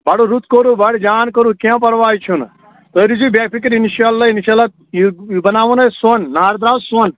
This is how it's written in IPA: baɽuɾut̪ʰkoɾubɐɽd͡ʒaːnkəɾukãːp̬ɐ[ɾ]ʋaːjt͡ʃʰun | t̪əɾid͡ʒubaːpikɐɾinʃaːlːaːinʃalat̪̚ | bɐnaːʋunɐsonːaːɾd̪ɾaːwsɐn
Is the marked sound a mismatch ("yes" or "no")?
no